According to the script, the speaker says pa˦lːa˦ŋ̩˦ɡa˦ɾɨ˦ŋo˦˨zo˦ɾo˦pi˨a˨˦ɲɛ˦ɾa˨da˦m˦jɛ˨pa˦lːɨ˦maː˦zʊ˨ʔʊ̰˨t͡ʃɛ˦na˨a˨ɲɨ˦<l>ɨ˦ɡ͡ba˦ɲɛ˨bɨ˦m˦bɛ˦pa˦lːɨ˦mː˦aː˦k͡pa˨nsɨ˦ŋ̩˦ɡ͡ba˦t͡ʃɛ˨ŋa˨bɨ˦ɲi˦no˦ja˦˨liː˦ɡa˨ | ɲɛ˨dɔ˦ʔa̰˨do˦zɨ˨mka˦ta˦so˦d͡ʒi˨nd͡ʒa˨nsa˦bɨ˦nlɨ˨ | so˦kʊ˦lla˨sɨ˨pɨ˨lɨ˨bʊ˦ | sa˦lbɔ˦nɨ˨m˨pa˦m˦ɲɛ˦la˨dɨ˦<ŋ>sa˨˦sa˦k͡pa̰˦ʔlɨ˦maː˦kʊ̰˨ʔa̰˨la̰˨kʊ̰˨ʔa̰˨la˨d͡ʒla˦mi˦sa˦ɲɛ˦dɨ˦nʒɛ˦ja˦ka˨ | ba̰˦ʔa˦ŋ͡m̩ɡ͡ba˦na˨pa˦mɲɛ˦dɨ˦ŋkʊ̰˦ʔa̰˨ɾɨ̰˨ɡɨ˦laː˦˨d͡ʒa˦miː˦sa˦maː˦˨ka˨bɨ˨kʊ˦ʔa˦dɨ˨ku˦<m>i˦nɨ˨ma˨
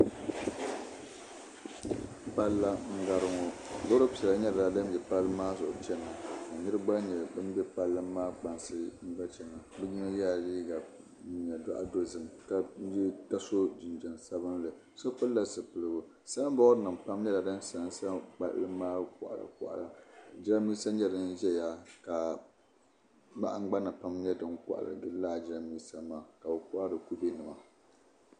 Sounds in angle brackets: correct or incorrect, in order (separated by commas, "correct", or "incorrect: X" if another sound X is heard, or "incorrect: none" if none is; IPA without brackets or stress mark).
incorrect: ɾ, incorrect: n, incorrect: b